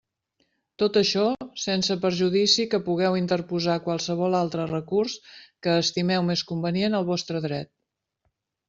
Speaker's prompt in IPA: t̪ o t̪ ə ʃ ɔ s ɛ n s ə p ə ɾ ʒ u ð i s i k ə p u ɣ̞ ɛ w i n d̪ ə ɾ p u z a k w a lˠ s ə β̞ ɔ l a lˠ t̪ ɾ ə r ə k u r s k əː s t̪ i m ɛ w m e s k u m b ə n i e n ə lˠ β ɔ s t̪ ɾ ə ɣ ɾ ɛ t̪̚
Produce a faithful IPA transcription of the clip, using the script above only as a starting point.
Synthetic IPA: t̪ o t̪ ə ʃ ɔ s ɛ n s ə p ə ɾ ʒ u ð i s i k ə p u ɣ̞ ɛ w i n t̪ ə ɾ p u z a k w a lˠ s ə β̞ ɔ l a lˠ t̪ ɾ ə r ə k u r s k əː s t̪ i m ɛ w m e s k u m b ə n i e n ə lˠ β ɔ s t̪ ɾ ə ð ɾ ɛ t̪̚